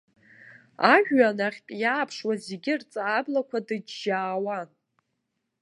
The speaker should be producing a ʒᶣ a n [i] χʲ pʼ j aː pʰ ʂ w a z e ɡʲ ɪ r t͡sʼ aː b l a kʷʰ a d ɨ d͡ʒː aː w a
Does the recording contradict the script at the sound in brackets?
yes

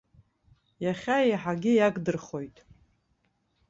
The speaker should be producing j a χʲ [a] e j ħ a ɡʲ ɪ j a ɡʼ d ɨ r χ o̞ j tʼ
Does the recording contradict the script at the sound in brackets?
no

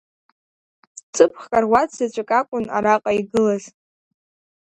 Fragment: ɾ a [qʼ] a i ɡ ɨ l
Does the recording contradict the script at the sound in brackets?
no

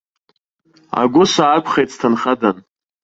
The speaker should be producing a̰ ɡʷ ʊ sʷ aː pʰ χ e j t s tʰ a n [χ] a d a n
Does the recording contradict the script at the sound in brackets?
no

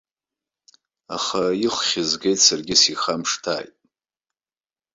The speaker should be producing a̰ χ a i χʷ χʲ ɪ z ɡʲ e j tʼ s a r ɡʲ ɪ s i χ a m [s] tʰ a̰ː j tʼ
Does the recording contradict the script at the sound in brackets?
yes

